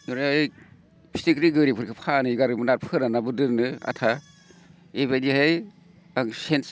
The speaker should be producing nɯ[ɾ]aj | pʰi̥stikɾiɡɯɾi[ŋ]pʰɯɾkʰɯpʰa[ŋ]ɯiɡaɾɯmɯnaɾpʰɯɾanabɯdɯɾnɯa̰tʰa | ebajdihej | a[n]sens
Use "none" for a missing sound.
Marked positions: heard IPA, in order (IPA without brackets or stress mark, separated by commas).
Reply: ɾ, none, n, ŋ